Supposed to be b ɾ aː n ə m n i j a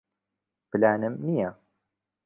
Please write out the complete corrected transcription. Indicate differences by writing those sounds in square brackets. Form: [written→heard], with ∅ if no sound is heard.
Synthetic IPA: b [ɾ→l] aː n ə m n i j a